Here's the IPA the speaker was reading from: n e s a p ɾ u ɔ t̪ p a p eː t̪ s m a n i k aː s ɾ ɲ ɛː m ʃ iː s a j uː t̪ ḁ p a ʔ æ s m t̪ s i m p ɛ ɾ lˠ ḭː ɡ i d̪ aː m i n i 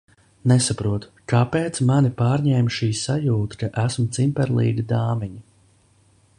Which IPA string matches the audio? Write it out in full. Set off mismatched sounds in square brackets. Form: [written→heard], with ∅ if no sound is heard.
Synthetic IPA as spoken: n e s a p ɾ u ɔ t̪ [p→k] a p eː t̪ s m a n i [k→p] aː [s→∅] ɾ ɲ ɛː m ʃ iː s a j uː t̪ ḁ [p→k] a ʔ æ s m t̪ s i m p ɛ ɾ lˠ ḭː ɡ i d̪ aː m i [n→ɲ] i